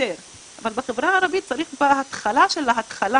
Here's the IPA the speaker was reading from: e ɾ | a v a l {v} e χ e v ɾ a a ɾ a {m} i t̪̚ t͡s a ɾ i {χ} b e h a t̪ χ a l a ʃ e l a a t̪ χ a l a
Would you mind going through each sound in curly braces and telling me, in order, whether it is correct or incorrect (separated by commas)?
incorrect, incorrect, correct